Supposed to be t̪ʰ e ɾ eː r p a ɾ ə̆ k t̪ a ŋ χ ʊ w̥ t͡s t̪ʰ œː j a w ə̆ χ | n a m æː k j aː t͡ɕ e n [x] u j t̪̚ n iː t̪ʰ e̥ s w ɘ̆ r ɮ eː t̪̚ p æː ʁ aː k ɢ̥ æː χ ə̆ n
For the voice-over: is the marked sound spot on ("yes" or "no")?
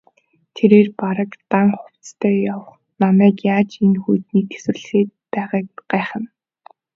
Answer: yes